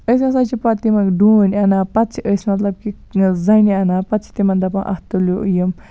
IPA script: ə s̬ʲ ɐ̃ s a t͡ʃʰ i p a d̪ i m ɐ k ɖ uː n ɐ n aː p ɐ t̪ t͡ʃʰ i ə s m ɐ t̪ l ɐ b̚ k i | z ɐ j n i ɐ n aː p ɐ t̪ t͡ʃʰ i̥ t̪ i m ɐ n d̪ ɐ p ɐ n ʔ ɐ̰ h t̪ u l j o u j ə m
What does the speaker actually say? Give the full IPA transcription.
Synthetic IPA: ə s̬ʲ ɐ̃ s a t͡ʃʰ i p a t̪ i m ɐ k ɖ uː n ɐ n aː p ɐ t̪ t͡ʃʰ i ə s m ɐ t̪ l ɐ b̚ k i | z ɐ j n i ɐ n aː p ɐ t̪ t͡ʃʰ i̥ t̪ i m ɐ n d̪ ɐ p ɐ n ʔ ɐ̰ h t̪ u l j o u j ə m